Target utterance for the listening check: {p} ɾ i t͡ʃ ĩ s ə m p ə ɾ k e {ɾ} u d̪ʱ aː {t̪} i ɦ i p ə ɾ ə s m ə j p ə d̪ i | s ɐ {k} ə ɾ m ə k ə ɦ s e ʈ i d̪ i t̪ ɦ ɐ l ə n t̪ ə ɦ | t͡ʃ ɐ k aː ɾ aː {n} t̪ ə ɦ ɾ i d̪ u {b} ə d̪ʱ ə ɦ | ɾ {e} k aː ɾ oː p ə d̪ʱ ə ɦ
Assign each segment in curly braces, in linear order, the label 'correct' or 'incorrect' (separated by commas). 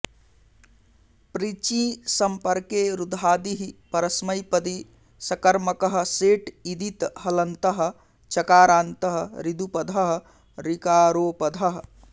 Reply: correct, correct, incorrect, correct, correct, incorrect, incorrect